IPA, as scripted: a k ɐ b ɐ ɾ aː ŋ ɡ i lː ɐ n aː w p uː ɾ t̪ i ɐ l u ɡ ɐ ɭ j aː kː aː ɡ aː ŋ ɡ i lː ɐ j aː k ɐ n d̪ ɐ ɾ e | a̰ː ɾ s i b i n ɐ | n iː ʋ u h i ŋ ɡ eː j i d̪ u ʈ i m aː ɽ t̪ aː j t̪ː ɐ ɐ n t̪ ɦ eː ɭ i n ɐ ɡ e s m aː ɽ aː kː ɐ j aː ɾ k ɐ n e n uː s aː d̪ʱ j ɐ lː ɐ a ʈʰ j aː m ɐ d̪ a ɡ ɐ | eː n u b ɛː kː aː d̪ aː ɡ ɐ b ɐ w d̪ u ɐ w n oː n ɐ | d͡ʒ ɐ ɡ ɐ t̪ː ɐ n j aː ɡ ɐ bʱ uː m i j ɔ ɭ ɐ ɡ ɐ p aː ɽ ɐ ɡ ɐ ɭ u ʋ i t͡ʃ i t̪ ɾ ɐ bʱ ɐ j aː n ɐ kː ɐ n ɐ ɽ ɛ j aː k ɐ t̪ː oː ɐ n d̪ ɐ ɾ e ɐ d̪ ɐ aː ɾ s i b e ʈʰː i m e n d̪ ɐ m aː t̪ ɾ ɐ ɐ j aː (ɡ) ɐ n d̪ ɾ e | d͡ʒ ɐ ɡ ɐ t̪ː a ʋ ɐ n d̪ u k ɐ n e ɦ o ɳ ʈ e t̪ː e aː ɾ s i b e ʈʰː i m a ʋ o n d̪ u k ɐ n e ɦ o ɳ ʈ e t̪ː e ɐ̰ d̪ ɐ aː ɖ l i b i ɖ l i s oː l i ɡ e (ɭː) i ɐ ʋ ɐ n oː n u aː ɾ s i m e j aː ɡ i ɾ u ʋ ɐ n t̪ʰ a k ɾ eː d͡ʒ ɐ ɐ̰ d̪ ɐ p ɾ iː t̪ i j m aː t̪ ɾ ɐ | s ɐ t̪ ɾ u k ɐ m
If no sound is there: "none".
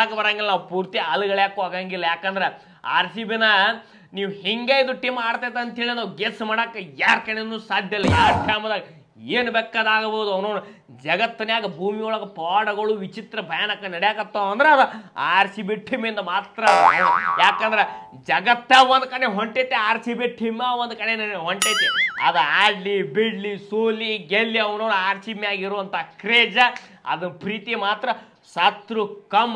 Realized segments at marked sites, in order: k, lː

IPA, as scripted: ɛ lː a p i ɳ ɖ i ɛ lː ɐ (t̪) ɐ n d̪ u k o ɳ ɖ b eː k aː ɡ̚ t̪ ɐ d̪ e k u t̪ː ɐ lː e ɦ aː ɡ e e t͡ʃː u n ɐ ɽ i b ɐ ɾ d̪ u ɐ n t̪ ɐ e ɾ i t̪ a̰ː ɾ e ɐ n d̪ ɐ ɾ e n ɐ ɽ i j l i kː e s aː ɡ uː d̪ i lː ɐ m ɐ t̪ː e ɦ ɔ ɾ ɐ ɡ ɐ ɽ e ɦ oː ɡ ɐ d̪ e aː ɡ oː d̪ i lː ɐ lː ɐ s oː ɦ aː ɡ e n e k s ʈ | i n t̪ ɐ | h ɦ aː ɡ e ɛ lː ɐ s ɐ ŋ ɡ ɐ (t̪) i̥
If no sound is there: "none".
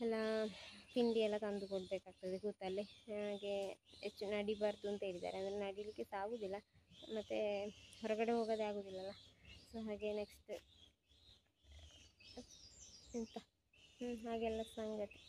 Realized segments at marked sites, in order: t̪, t̪

